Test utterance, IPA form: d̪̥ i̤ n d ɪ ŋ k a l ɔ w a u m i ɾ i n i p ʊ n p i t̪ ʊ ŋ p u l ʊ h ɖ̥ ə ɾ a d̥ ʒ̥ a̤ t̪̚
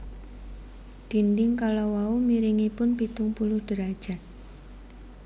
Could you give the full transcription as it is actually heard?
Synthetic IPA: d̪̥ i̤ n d ɪ ŋ k a l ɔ w a u m i ɾ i ŋ i p ʊ n p i t̪ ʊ ŋ p u l ʊ h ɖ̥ ə ɾ a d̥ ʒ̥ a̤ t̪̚